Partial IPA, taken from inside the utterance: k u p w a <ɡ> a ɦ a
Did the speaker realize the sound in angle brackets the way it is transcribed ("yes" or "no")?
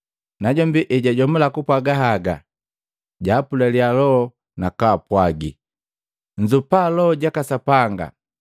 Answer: yes